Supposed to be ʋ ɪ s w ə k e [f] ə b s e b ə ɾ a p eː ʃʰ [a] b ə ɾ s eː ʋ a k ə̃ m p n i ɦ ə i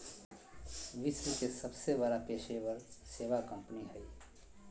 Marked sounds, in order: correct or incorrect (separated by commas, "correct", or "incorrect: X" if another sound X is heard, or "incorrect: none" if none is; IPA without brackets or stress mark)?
incorrect: s, incorrect: e